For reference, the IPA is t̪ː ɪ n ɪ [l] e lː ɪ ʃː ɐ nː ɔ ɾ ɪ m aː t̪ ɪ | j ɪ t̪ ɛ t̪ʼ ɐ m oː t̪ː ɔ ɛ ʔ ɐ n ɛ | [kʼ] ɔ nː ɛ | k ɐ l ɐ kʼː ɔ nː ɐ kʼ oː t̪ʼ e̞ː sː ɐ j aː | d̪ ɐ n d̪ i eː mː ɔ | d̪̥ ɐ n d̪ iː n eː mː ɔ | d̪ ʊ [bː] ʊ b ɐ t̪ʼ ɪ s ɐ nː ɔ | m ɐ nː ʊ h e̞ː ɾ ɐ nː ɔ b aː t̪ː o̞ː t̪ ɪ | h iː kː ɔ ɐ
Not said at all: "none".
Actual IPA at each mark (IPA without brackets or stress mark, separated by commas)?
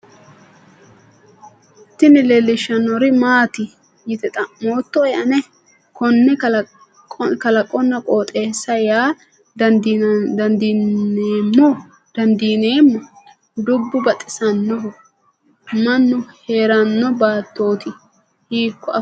l, k, bː